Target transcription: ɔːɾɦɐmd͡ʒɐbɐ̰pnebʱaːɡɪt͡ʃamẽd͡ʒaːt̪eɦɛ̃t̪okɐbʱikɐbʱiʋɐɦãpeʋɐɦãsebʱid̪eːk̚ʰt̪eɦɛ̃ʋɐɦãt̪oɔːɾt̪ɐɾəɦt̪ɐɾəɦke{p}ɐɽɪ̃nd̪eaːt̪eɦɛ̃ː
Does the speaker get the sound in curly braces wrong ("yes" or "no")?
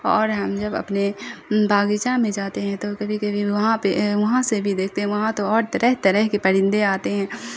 no